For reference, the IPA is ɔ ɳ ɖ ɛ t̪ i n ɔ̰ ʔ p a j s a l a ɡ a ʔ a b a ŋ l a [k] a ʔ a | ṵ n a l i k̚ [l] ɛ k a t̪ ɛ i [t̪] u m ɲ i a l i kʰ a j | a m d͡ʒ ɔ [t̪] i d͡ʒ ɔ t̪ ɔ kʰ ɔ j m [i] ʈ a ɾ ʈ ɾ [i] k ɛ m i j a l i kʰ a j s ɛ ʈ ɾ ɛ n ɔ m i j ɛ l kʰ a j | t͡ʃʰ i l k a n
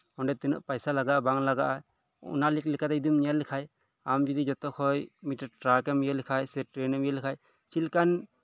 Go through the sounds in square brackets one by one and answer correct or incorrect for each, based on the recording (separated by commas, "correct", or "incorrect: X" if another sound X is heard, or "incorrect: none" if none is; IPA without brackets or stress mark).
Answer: incorrect: ɡ, correct, incorrect: d̪, incorrect: d̪, correct, incorrect: a